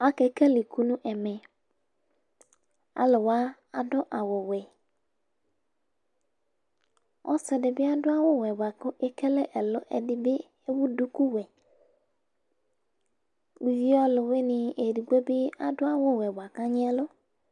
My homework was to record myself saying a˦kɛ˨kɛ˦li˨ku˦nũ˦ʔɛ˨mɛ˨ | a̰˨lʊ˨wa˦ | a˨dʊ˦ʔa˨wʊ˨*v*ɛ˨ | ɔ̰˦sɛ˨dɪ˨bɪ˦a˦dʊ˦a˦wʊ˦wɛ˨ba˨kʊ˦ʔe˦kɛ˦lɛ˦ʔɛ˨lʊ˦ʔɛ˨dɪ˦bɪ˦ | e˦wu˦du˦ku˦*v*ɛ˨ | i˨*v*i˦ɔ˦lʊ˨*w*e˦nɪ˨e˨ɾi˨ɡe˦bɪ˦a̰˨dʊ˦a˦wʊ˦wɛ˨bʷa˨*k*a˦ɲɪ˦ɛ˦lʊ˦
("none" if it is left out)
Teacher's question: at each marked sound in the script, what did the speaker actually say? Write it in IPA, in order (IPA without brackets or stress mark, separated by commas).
w, w, v, w, k